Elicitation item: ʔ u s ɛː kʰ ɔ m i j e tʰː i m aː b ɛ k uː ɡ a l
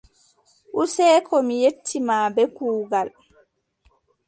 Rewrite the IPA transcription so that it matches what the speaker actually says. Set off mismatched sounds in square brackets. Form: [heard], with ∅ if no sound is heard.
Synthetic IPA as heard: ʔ u s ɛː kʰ ɔ m i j e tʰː i m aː b ɛ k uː ɡ a l

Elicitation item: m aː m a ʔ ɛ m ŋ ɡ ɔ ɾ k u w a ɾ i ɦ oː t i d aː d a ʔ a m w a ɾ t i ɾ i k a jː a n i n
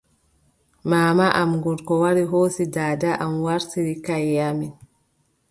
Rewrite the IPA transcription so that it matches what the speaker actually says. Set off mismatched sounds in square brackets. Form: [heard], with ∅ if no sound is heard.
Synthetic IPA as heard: m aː m a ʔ [a] m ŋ ɡ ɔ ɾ k [ɔ] w a ɾ i ɦ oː [s] i d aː d a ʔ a m w a ɾ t i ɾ i k a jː a [m] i n

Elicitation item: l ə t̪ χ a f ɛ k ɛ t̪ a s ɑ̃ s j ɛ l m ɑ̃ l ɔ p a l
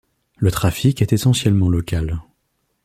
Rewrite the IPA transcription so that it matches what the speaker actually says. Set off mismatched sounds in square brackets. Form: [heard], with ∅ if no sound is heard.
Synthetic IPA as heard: l ə t̪ χ a f [i] k ɛ t̪ [e] s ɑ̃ s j ɛ l m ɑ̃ l ɔ [k] a l

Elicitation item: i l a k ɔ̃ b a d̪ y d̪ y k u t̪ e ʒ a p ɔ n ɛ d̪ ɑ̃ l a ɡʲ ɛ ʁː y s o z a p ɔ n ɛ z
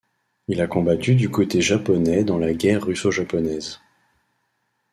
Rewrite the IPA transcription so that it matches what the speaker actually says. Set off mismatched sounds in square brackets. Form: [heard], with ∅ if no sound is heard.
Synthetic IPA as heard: i l a k ɔ̃ b a [t̪] y d̪ y k [o] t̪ e ʒ a p ɔ n ɛ d̪ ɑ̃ l a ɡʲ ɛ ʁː y s o [ʒ] a p ɔ n ɛ z

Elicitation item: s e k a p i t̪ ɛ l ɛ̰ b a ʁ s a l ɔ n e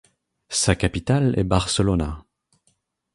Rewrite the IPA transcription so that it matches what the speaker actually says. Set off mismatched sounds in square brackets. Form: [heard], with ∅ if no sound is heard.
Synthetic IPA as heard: s [a] k a p i t̪ [a] l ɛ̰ b a ʁ s [ə] l ɔ n [a]

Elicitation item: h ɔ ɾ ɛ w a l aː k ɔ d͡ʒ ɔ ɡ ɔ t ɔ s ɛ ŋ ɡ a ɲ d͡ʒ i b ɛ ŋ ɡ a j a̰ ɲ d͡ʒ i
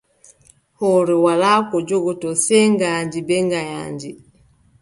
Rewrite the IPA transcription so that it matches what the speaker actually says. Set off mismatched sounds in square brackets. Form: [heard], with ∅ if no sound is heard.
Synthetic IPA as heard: h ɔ ɾ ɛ w a l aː k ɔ d͡ʒ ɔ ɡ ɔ t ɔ s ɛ ŋ ɡ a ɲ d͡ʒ i b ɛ ŋ ɡ a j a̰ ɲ d͡ʒ i

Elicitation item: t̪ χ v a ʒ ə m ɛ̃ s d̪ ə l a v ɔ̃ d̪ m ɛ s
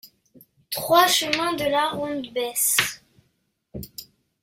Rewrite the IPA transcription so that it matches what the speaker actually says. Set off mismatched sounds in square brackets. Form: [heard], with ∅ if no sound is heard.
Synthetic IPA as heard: t̪ χ [w] a [ʃ] ə m ɛ̃ [∅] d̪ ə l a [ʁ] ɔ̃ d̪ [b] ɛ s

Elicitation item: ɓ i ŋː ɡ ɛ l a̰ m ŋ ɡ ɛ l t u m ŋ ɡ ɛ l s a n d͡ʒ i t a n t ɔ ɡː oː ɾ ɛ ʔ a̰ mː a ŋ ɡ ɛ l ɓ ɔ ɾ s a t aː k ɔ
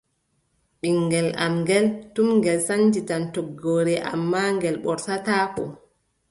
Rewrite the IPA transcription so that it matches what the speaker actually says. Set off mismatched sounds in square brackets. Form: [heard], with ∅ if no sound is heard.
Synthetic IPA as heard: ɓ i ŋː ɡ ɛ l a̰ m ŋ ɡ ɛ l t u m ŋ ɡ ɛ l s a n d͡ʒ i t a n t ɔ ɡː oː ɾ ɛ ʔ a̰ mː a ŋ ɡ ɛ l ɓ ɔ ɾ s a t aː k ɔ

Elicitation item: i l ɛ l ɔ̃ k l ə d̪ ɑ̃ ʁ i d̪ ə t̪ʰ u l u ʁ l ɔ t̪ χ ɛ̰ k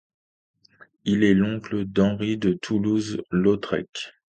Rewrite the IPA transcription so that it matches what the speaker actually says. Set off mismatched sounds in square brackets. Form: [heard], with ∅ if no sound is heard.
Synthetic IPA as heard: i l ɛ l ɔ̃ k l ə d̪ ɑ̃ ʁ i d̪ ə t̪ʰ u l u [z] l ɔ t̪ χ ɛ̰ k

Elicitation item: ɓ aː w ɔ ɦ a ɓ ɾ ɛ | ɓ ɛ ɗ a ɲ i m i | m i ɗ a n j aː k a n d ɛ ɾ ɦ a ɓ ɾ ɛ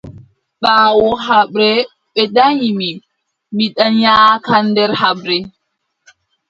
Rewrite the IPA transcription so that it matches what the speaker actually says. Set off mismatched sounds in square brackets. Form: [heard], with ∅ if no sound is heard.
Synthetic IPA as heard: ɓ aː w ɔ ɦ a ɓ ɾ ɛ | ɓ ɛ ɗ a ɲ i m i | m i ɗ a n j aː k a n d ɛ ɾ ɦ a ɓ ɾ ɛ

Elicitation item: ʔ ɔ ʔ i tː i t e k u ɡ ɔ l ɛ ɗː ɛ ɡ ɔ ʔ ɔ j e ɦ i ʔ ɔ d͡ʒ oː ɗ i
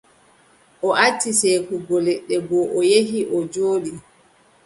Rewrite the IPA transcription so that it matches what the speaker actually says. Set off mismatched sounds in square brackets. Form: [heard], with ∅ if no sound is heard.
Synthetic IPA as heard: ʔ ɔ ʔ [a] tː i [s] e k u ɡ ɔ l ɛ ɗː ɛ ɡ ɔ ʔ ɔ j e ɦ i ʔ ɔ d͡ʒ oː ɗ i

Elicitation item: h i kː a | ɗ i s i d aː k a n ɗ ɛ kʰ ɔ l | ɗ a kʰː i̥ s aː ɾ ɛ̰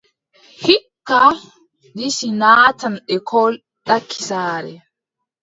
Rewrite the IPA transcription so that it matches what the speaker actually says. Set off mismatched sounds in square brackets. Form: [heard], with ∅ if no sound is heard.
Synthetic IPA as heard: h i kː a | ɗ i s i [n] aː [t] a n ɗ ɛ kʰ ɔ l | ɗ a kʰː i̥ s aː ɾ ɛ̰

